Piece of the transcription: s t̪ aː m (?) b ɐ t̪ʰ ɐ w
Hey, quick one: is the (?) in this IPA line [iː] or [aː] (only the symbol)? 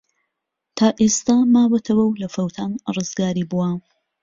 aː